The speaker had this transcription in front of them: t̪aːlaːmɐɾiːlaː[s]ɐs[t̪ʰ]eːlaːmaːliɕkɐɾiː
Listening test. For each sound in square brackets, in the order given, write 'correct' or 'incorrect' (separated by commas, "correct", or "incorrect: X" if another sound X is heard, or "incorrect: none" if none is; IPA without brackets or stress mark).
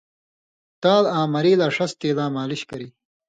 incorrect: ʂ, incorrect: t̪